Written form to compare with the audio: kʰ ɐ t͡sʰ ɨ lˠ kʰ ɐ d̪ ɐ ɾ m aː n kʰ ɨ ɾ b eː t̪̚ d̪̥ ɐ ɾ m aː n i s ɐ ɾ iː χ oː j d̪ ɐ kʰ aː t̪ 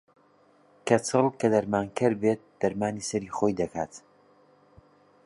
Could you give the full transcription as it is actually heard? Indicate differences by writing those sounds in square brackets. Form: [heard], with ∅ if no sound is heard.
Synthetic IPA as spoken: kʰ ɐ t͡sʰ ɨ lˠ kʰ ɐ d̪ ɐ ɾ m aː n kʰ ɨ ɾ b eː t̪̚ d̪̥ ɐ ɾ m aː n i s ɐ ɾ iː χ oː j d̪ ɐ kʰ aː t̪